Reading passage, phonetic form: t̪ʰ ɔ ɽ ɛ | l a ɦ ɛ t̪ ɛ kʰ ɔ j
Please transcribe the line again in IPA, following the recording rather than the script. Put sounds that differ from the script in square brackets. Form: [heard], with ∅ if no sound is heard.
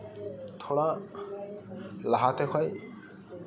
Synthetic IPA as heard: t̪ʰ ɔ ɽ [a] | l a ɦ [a] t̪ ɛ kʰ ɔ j